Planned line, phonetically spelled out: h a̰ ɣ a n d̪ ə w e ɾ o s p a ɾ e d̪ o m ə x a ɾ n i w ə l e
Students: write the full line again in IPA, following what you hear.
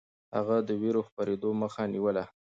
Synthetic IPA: h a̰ ɣ a d̪ ə w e ɾ o x p a ɾ e d̪ o m ə x a n i w ə l a